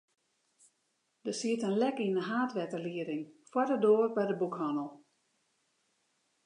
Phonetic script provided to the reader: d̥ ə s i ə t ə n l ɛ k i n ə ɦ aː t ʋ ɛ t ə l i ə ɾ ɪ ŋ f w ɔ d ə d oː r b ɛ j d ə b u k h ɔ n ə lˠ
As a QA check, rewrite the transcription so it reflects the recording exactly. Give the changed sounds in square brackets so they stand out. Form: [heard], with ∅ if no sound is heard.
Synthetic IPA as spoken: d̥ ə s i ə t ə n l ɛ k i n ə ɦ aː t ʋ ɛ t ə l i ə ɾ ɪ ŋ f w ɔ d ə d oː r b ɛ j d ə b u k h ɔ n ə lˠ